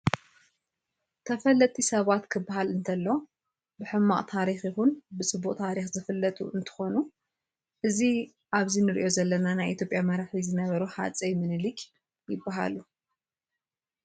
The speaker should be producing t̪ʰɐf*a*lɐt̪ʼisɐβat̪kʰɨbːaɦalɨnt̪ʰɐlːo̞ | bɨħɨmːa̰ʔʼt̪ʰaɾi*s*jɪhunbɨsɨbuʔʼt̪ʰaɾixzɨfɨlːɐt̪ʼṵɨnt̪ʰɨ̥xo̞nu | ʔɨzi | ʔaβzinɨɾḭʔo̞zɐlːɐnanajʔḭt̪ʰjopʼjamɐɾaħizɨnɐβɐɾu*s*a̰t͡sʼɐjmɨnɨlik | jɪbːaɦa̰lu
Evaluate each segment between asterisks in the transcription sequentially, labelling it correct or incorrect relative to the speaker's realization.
incorrect: ɐ, incorrect: x, incorrect: ħ

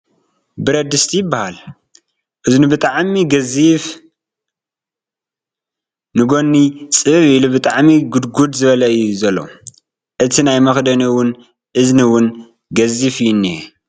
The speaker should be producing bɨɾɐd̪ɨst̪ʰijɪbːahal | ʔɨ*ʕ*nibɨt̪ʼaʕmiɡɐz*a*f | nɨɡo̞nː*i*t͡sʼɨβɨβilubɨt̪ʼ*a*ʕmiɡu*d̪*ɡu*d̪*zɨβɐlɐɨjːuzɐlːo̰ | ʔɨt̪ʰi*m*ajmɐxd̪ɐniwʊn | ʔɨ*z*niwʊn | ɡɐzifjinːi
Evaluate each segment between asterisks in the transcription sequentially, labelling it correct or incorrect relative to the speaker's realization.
incorrect: z, incorrect: i, correct, correct, correct, correct, incorrect: n, correct

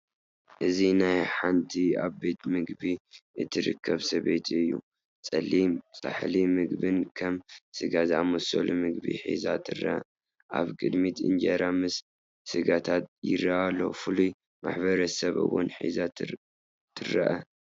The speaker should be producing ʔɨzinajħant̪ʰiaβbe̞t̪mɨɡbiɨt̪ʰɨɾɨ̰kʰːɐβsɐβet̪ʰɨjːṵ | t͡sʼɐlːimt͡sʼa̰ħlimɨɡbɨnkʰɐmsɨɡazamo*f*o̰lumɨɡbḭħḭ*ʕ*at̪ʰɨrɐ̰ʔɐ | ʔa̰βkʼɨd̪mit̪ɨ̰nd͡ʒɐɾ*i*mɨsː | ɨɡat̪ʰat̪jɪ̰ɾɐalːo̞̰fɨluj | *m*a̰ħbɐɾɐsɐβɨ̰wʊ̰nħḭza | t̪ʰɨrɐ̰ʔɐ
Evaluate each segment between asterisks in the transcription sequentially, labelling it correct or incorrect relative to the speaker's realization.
incorrect: s, incorrect: z, incorrect: a, correct

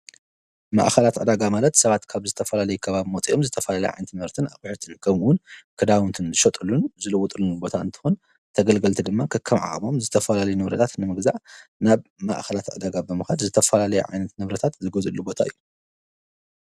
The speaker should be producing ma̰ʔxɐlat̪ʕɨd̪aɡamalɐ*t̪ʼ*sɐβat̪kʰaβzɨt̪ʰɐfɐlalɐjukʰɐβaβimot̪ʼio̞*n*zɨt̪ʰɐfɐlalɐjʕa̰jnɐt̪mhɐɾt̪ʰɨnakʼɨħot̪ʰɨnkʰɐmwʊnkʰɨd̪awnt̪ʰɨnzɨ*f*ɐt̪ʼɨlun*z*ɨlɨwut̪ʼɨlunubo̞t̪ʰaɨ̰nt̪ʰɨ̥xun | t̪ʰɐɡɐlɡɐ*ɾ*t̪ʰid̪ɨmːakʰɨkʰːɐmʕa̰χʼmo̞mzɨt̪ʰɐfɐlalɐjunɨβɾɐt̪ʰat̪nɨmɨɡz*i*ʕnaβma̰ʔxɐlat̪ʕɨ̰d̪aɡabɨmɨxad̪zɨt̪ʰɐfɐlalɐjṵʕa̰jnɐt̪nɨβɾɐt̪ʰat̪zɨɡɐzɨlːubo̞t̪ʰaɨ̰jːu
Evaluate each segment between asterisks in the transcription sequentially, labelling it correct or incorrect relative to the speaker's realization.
incorrect: t̪, incorrect: m, incorrect: ʃ, correct, incorrect: l, incorrect: a

